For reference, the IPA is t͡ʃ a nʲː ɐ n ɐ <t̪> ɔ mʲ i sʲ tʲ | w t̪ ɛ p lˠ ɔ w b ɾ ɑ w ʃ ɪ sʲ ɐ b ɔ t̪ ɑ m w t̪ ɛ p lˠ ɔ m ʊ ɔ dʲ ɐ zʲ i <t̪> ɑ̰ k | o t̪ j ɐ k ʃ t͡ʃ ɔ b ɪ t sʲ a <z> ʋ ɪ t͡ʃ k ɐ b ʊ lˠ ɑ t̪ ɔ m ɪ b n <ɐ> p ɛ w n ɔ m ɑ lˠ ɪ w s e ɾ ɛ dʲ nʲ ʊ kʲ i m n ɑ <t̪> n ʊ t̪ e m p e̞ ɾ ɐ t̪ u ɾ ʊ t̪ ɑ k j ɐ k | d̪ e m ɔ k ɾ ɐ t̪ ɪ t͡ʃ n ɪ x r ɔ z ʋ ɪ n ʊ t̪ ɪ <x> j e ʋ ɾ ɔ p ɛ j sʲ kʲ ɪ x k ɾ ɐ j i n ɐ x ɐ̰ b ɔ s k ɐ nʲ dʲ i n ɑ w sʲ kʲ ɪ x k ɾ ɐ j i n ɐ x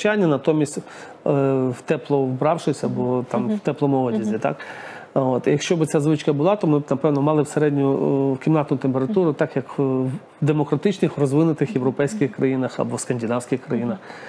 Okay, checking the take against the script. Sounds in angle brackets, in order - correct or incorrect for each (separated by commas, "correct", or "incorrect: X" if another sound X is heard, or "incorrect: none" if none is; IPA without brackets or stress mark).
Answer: correct, correct, correct, correct, correct, correct